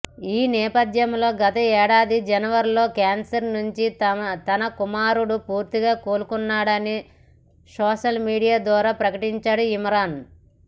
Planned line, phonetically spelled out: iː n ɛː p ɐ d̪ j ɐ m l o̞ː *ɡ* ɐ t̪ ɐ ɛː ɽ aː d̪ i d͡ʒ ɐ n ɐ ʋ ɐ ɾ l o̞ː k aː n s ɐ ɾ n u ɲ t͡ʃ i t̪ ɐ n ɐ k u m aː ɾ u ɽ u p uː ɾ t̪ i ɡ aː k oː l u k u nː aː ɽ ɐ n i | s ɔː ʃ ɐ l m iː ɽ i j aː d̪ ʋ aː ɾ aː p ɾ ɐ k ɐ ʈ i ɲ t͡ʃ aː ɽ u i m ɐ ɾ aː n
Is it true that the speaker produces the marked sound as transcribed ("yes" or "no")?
yes